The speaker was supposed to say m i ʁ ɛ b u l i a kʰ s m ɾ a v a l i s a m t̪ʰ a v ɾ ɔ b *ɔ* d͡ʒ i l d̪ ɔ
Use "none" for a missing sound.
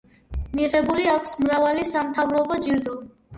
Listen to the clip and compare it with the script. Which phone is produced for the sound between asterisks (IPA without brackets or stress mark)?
ɔ